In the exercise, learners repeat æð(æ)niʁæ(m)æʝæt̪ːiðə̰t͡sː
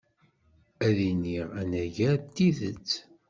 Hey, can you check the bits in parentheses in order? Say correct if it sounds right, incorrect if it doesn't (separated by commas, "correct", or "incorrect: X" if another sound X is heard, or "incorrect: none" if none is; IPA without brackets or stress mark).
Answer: incorrect: i, incorrect: n